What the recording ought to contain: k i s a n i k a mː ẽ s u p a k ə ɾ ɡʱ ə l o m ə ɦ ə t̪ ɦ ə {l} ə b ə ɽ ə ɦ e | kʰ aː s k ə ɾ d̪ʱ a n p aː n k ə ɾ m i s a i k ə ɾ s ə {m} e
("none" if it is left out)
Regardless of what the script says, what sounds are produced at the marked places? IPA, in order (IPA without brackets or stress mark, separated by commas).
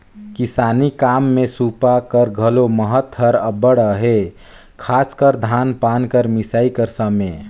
ɾ, m